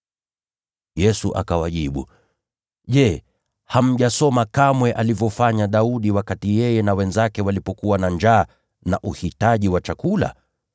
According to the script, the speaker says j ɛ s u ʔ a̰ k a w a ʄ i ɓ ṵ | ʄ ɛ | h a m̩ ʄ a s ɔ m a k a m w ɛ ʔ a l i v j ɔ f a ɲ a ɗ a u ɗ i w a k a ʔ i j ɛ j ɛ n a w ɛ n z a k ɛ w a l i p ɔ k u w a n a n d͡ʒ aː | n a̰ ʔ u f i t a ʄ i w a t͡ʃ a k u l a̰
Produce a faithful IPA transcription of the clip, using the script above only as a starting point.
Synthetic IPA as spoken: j ɛ s u ʔ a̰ k a w a ʄ i ɓ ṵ | ʄ ɛ | h a m̩ ʄ a s ɔ m a k a m w ɛ ʔ a l i v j ɔ f a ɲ a ɗ a u ɗ i w a k a t i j ɛ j ɛ n a w ɛ n z a k ɛ w a l i p ɔ k u w a n a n d͡ʒ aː | n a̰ ʔ u h i t a ʄ i w a t͡ʃ a k u l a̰